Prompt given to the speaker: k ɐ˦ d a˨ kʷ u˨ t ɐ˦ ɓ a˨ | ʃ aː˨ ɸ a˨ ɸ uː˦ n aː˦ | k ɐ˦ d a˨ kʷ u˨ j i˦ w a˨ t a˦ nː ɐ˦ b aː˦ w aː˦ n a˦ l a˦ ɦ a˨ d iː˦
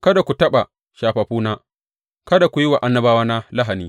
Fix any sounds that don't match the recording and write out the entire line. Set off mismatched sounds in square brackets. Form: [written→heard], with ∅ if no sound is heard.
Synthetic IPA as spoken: k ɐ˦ d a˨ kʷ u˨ t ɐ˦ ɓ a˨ | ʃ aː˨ ɸ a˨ ɸ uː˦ n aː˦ | k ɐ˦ d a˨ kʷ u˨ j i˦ w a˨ [t→ʔ] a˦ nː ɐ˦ b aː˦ w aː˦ n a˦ l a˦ ɦ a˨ [d→n] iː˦

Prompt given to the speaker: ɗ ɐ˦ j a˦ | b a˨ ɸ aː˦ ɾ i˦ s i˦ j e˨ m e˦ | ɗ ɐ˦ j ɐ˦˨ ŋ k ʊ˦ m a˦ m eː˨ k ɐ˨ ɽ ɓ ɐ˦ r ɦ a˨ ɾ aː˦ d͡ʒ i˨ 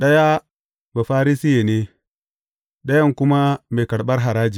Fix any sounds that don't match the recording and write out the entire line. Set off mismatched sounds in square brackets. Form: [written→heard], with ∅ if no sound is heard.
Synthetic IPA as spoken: ɗ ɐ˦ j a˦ | b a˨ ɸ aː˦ ɾ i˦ s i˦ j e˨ [m→n] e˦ | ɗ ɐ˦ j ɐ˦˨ ŋ k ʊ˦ m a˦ m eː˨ k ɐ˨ ɽ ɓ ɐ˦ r ɦ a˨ ɾ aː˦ d͡ʒ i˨

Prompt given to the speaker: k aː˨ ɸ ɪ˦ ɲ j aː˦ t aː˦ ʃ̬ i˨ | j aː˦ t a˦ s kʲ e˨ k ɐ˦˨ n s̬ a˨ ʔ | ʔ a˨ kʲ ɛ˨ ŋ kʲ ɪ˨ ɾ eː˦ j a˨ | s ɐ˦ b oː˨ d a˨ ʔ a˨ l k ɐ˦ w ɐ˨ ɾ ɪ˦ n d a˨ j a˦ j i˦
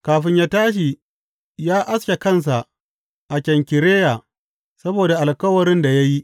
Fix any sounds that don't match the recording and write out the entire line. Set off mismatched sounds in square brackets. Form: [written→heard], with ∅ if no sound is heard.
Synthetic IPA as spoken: k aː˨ ɸ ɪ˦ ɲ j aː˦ t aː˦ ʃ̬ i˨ | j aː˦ [t→ʔ] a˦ s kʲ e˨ k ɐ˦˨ n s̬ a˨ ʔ | ʔ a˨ kʲ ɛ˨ ŋ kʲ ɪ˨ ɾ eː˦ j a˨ | s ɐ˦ b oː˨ d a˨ ʔ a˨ l k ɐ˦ w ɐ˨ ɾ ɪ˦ n d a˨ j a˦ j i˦

